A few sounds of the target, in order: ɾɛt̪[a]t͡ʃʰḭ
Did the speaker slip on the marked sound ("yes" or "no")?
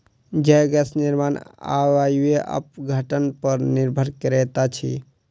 no